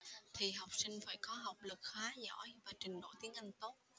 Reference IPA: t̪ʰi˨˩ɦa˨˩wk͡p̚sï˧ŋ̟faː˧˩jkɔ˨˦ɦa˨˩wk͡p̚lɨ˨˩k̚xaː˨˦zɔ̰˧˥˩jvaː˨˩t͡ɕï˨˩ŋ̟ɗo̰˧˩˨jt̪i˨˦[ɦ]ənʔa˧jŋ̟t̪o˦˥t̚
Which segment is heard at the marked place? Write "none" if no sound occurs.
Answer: none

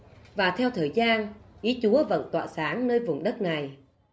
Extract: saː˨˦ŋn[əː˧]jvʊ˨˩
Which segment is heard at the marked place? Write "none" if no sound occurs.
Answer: əː˧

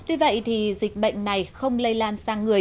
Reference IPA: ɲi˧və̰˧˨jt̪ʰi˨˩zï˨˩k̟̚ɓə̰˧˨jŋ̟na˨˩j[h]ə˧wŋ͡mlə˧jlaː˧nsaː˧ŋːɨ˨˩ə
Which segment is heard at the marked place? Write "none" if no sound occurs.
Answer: x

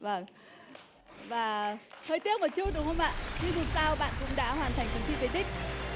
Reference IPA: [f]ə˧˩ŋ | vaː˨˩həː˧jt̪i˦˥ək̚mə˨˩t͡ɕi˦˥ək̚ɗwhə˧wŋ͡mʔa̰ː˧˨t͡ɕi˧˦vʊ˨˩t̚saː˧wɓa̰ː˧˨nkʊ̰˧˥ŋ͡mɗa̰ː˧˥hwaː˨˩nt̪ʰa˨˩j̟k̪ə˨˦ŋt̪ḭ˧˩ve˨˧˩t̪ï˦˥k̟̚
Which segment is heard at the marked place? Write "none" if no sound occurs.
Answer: v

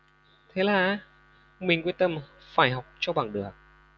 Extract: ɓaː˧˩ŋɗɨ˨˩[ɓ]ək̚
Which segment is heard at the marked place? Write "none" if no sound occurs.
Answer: none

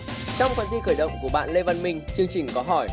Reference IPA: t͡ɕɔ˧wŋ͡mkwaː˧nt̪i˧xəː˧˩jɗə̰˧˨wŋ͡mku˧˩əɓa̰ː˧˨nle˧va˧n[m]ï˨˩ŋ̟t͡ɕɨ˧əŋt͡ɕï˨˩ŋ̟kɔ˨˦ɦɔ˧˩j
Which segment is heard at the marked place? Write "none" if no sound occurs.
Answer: m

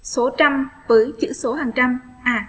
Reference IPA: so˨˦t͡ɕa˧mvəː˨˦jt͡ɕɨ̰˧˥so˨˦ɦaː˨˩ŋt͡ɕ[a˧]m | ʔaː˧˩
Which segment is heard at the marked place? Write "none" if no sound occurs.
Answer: a˧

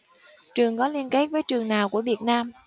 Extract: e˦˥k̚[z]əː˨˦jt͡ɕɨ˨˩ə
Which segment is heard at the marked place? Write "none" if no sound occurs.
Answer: v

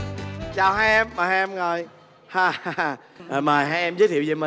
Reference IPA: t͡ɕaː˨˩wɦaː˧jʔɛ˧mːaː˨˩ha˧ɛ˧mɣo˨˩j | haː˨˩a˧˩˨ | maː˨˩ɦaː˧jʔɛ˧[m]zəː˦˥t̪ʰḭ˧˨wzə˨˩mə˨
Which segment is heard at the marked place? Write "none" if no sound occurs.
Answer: m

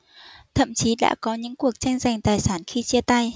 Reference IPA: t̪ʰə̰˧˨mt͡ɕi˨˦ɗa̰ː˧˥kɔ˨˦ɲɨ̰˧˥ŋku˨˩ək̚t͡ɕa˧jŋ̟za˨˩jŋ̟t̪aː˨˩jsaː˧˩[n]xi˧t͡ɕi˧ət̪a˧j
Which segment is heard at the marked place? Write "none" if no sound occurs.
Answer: n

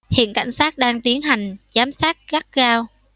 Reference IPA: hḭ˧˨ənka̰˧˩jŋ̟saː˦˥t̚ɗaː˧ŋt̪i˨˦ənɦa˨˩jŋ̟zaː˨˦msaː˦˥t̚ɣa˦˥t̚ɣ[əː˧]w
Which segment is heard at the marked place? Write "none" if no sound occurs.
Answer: aː˧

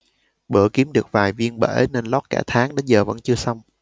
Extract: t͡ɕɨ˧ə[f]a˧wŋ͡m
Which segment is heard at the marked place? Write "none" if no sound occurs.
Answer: s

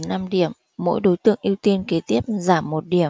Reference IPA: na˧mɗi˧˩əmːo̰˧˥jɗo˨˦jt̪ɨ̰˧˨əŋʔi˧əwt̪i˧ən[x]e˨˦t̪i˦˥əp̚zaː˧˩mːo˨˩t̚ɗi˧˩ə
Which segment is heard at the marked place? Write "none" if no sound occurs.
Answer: k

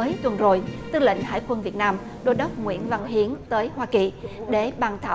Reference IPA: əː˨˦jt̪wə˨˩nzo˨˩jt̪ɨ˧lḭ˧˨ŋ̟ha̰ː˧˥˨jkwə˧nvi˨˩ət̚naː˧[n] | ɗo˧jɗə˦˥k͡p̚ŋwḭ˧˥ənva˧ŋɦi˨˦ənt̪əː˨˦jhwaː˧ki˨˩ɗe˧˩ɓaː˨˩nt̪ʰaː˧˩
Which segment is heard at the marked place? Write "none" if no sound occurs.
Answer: m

